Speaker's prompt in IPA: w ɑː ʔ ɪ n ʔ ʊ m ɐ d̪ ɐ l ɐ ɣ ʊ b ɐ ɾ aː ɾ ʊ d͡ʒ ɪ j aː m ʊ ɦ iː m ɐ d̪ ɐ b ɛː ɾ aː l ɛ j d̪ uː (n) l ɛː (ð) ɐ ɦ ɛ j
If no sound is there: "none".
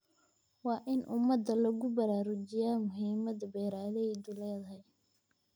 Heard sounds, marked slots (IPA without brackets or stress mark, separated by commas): none, ð